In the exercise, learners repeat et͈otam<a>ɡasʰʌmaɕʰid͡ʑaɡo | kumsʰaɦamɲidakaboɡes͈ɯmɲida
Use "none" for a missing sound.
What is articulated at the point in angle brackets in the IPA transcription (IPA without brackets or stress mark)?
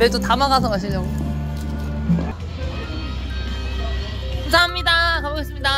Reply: a